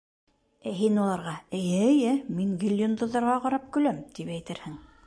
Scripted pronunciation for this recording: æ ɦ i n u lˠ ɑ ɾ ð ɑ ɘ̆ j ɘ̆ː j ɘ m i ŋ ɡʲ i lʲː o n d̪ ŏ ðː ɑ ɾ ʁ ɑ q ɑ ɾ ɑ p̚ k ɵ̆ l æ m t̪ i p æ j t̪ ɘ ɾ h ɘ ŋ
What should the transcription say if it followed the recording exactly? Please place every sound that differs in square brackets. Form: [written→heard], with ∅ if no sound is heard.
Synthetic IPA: æ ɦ i n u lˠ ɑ ɾ [ð→ʁ] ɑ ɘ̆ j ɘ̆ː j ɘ m i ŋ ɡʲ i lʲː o n d̪ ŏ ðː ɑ ɾ ʁ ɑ q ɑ ɾ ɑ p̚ k ɵ̆ l æ m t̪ i p æ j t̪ ɘ ɾ h ɘ ŋ